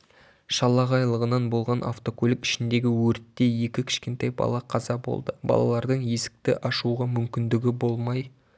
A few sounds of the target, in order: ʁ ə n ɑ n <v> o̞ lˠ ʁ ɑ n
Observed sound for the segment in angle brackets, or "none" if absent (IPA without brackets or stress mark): b